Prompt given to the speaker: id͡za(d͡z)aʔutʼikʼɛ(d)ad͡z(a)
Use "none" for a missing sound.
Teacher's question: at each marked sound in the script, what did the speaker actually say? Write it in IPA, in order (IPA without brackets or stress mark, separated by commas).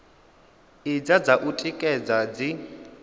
d͡z, d͡z, i